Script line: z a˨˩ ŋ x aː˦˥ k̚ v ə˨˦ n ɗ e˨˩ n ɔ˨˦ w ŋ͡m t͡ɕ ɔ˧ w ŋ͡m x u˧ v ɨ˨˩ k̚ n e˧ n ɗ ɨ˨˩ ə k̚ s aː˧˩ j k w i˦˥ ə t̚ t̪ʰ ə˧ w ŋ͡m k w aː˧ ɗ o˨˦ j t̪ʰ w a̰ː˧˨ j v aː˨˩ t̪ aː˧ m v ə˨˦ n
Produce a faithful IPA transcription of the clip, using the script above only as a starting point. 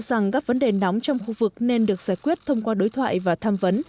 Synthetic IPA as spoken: z a˨˩ ŋ k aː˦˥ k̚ v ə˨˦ n ɗ e˨˩ n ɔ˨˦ w ŋ͡m t͡ɕ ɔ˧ w ŋ͡m x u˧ v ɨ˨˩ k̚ n e˧ n ɗ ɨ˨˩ ə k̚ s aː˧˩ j k w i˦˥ ə t̚ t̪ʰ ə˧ w ŋ͡m k w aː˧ ɗ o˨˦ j t̪ʰ w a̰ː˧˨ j v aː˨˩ t̪ʰ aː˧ m v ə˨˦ n